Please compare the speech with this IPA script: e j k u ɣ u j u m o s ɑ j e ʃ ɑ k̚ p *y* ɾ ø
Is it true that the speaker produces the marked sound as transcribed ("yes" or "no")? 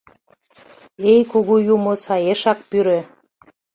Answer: yes